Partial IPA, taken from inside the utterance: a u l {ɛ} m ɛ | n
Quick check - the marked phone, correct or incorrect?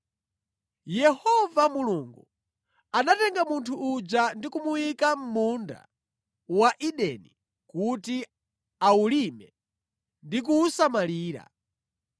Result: incorrect